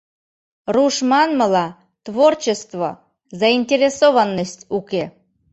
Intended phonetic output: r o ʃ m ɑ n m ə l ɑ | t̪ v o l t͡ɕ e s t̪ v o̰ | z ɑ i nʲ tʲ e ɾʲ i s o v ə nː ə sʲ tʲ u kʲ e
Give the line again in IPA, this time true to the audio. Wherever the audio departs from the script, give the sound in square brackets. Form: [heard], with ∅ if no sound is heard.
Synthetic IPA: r [u] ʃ m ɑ n m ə l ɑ | t̪ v o [r] t͡ɕ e s t̪ v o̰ | z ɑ i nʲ tʲ e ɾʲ [e] s o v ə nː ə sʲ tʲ u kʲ e